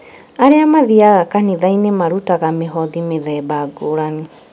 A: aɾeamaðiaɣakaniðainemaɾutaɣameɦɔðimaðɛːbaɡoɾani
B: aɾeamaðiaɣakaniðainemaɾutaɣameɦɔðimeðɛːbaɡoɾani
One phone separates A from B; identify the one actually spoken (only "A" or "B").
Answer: B